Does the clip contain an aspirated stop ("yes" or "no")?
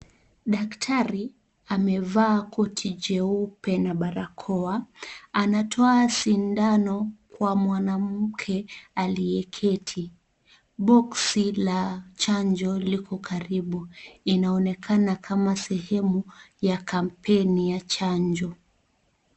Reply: yes